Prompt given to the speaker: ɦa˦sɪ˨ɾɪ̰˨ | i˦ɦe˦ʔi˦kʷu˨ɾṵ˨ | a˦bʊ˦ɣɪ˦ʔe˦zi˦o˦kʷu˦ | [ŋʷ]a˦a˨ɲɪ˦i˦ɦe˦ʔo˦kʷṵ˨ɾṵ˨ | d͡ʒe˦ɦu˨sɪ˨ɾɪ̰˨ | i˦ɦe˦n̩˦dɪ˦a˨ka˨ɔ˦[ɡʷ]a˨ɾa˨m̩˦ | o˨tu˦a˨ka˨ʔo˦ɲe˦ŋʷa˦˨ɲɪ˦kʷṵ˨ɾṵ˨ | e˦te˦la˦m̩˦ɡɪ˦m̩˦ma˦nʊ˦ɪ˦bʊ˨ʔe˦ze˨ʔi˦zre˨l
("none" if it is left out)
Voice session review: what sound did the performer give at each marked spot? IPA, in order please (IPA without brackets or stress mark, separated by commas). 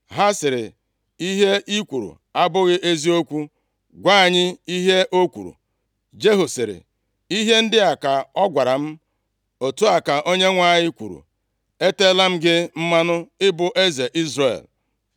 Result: ɡʷ, ɡʷ